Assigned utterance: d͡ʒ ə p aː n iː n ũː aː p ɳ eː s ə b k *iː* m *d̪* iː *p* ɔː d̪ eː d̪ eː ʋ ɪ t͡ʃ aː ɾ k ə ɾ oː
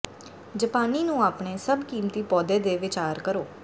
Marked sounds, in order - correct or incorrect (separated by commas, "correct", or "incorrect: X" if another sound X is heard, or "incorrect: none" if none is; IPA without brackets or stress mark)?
correct, incorrect: t̪, correct